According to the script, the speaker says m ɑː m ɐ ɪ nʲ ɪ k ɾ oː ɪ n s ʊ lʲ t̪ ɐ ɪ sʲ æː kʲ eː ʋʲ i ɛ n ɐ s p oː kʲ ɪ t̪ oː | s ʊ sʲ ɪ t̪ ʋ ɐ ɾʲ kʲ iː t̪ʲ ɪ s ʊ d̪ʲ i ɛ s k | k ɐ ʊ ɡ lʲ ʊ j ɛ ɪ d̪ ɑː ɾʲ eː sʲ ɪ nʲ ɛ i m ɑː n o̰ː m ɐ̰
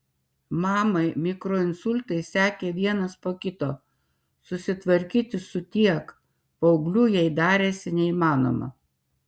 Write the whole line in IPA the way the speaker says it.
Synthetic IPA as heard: m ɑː m ɐ ɪ mʲ ɪ k ɾ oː ɪ n s ʊ lʲ t̪ ɐ ɪ sʲ æː kʲ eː ʋʲ i ɛ n ɐ s p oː kʲ ɪ t̪ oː | s ʊ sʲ ɪ t̪ ʋ ɐ ɾʲ kʲ iː t̪ʲ ɪ s ʊ t̪ʲ i ɛ k | p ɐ ʊ ɡ lʲ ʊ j ɛ ɪ d̪ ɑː ɾʲ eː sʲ ɪ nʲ ɛ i m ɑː n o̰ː m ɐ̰